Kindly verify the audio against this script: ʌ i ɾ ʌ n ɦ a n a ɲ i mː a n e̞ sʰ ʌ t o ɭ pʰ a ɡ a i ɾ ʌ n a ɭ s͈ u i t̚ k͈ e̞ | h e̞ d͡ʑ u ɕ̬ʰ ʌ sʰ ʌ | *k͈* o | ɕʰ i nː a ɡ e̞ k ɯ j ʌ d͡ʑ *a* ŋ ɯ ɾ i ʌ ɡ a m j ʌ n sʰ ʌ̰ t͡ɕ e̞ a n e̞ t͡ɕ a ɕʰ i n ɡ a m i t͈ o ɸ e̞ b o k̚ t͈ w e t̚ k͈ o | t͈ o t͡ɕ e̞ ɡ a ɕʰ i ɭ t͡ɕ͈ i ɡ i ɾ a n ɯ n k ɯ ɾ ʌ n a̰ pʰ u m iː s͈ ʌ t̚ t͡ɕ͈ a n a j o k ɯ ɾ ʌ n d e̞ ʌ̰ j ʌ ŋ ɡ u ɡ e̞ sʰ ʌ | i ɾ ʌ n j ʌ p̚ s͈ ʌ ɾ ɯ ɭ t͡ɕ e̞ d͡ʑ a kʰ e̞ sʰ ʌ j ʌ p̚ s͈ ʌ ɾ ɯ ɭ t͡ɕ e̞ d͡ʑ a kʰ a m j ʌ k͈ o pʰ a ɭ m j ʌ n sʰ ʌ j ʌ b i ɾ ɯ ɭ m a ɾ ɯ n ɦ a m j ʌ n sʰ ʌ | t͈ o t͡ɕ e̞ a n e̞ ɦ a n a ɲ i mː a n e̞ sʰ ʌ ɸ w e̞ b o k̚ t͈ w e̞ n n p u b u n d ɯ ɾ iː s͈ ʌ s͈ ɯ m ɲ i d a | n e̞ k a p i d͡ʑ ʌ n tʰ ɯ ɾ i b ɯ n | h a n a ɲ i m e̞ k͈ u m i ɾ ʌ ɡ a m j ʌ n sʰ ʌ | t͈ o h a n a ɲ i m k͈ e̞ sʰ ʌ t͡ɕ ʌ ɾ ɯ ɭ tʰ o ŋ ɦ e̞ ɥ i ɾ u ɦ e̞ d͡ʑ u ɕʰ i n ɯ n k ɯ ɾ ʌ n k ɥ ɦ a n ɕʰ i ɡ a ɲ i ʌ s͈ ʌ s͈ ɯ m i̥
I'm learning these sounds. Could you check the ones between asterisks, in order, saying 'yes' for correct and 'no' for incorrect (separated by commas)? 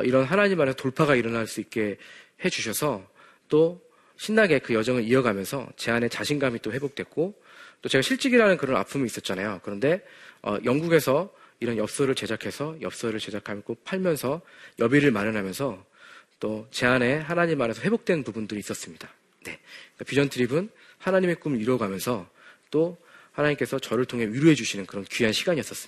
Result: no, no